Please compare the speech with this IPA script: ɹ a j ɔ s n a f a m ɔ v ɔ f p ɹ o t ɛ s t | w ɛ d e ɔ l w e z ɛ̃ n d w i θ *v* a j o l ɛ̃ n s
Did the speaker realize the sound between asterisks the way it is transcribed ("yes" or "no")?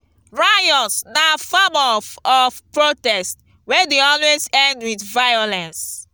yes